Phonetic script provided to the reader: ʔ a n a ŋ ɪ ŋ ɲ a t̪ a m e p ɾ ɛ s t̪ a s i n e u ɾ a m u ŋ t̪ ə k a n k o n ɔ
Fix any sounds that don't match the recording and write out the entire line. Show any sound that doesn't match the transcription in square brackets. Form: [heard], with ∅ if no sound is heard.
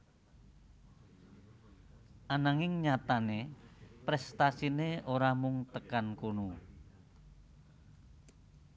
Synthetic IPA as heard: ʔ a n a ŋ ɪ ŋ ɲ a t̪ a [n] e p ɾ ɛ s t̪ a s i n e [o] ɾ a m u ŋ t̪ ə k a n k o n [u]